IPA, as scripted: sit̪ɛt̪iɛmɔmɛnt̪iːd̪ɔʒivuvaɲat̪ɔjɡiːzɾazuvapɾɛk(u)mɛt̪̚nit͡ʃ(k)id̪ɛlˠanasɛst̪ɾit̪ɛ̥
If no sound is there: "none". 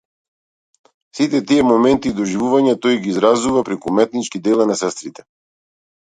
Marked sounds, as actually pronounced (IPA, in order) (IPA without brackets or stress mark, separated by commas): u, k